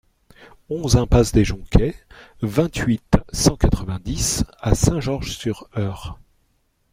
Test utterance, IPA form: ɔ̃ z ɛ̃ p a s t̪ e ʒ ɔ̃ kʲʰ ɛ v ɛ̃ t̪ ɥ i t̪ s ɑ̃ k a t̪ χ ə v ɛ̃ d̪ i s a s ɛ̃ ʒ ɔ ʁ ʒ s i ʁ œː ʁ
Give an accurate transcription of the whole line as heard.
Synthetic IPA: ɔ̃ z ɛ̃ p a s d̪ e ʒ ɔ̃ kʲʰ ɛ v ɛ̃ t̪ ɥ i t̪ s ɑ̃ k a t̪ χ ə v ɛ̃ d̪ i s a s ɛ̃ ʒ ɔ ʁ ʒ s y ʁ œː ʁ